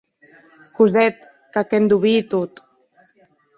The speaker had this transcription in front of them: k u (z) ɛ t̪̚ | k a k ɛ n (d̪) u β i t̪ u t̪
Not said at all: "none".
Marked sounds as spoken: z, d̪

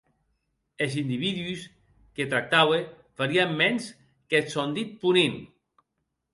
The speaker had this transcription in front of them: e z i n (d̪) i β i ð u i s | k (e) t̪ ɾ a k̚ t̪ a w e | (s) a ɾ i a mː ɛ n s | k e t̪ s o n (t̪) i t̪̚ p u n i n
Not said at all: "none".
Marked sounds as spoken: d̪, e, f, d̪

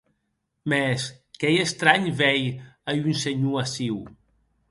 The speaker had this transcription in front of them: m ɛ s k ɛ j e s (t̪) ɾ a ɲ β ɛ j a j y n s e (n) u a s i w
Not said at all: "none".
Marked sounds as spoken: t̪, ɲ

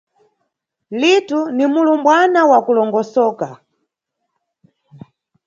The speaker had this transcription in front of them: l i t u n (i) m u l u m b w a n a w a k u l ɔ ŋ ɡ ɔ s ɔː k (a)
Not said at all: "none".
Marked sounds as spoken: i, a

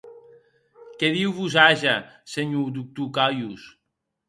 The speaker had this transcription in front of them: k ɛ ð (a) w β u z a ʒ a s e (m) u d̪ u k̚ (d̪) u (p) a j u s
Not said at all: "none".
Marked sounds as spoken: i, ɲ, t̪, k

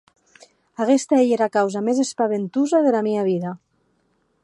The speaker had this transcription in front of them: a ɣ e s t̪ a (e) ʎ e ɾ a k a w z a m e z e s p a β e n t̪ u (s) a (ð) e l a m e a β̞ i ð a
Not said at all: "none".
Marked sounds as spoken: e, z, ð

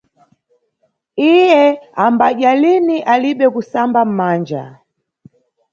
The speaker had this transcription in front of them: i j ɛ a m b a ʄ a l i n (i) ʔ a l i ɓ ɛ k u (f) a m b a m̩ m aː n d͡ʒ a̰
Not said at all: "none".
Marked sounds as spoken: i, s

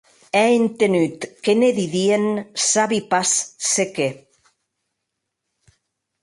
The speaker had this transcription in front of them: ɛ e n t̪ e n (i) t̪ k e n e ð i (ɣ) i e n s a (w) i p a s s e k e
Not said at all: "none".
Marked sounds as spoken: y, ð, β

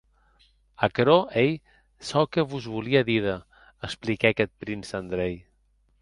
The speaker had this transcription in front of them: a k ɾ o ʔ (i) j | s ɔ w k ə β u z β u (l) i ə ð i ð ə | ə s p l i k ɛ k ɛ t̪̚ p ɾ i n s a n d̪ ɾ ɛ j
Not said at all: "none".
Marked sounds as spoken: e, l

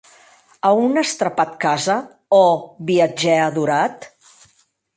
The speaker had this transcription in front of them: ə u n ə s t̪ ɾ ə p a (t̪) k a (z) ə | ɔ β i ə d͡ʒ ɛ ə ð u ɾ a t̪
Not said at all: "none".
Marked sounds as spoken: t̪, z

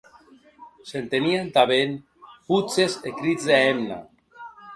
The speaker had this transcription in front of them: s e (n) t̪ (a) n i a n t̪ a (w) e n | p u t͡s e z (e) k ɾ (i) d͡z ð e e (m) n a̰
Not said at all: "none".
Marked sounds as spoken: n, e, β, e, i, m

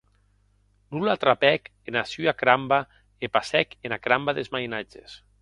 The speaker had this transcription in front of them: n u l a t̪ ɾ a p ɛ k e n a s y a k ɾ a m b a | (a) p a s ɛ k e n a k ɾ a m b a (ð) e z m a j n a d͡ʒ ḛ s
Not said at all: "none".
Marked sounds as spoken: e, ð

